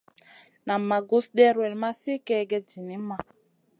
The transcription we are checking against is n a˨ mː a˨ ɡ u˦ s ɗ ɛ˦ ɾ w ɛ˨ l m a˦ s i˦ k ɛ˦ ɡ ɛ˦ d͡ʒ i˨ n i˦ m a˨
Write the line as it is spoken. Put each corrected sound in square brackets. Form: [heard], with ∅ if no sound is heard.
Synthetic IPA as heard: n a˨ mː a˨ ɡ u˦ s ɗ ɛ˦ ɾ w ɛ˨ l m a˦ s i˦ k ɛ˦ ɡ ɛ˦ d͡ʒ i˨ n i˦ m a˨